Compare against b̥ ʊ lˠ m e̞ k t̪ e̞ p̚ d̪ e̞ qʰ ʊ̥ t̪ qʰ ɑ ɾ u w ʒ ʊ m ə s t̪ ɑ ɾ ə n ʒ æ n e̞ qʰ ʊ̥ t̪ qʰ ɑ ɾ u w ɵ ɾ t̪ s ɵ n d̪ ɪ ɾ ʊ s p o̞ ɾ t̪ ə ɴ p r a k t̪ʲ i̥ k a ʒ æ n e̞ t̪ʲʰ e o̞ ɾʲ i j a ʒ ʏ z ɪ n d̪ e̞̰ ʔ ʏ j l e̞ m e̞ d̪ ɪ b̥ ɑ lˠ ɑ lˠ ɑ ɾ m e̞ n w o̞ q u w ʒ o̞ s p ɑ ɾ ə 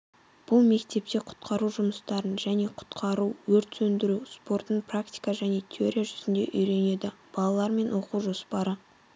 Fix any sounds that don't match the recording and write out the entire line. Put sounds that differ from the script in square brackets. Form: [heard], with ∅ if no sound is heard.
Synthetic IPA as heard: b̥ ʊ lˠ m e̞ k t̪ e̞ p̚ [t̪] e̞ qʰ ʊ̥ t̪ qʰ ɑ ɾ u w ʒ ʊ m ə s t̪ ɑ ɾ ə n ʒ æ n e̞ qʰ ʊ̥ t̪ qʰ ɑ ɾ u w ɵ ɾ t̪ s ɵ n d̪ ɪ ɾ [u] s p o̞ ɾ t̪ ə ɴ p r a k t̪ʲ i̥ k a ʒ æ n e̞ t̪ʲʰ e o̞ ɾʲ i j a ʒ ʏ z ɪ n d̪ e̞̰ ʔ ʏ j [ɾ] e̞ [n] e̞ d̪ ɪ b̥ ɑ lˠ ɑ lˠ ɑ ɾ m e̞ n w o̞ q u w ʒ o̞ s p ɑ ɾ ə